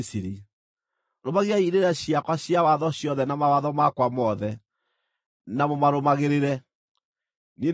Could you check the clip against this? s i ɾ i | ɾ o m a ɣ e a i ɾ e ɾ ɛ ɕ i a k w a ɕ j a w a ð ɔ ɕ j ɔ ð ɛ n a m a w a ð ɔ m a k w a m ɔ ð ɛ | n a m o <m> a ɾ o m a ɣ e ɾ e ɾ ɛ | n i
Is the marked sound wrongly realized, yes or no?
no